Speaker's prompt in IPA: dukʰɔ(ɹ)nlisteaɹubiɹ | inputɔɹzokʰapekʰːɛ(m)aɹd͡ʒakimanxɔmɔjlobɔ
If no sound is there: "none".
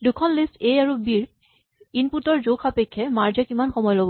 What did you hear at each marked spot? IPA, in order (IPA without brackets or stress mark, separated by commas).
none, m